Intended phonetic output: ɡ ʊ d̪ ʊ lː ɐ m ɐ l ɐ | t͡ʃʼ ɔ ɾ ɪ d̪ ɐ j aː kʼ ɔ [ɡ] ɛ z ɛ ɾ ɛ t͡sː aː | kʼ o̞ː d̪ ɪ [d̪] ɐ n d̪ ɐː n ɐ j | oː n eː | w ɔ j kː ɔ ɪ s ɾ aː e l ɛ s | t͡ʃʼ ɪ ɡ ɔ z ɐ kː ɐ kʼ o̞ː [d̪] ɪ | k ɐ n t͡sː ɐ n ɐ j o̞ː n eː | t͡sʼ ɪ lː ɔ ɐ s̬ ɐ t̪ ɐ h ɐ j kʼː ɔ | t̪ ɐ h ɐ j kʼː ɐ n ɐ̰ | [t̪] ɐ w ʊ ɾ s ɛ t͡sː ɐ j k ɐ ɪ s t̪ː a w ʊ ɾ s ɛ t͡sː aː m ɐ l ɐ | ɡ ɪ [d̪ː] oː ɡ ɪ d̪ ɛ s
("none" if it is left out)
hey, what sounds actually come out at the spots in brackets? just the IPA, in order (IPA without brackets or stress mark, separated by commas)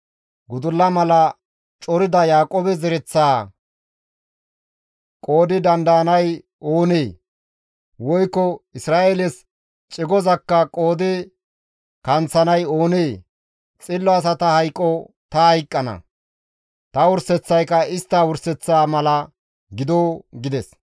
b, d̪, d̪, t̪, d̪